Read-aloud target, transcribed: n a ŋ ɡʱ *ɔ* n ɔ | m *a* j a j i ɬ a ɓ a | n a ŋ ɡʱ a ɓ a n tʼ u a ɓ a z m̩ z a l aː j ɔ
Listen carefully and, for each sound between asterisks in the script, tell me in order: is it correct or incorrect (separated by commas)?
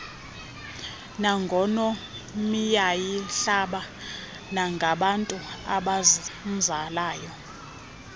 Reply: correct, incorrect